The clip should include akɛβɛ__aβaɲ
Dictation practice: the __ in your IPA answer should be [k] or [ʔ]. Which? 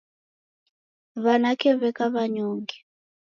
k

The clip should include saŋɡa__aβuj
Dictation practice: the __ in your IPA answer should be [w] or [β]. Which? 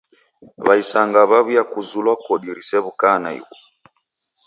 β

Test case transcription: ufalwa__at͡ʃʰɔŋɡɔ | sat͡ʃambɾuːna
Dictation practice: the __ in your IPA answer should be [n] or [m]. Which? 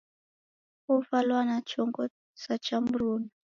n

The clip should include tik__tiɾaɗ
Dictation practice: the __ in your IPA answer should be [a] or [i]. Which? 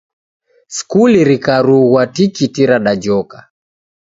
i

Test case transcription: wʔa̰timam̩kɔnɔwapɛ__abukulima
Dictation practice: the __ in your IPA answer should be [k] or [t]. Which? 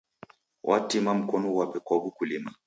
k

